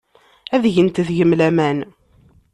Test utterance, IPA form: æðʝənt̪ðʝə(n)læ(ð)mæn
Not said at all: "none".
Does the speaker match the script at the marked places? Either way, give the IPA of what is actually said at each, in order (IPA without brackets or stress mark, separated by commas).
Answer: m, none